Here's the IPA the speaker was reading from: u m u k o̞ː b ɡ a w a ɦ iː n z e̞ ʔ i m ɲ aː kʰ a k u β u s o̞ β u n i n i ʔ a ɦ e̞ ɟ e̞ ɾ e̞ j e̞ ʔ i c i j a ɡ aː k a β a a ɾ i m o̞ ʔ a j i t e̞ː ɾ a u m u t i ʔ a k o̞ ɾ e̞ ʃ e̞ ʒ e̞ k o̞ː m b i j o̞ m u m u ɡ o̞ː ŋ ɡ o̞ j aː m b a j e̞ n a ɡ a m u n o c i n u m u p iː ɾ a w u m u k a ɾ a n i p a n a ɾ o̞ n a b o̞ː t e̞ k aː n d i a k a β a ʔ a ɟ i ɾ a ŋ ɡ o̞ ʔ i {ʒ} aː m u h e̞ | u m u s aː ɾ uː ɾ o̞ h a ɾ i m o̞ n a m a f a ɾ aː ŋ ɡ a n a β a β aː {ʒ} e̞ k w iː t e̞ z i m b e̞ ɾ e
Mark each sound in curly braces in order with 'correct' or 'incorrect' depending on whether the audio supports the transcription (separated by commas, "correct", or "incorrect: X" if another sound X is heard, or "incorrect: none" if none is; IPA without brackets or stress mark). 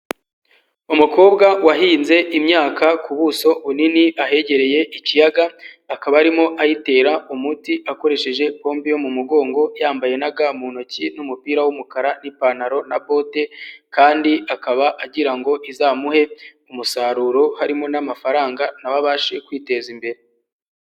incorrect: z, incorrect: ʃ